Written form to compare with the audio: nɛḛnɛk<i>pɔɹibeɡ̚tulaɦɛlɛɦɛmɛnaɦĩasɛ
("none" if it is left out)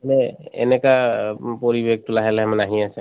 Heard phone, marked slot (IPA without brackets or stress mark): a